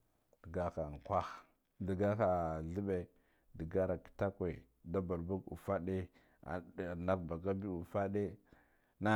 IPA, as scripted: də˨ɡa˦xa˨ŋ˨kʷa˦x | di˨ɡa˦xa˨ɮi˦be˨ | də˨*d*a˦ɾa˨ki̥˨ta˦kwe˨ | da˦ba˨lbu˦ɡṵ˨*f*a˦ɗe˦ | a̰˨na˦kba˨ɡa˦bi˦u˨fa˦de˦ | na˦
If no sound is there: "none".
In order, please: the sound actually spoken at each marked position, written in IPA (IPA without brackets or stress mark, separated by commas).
ɡ, f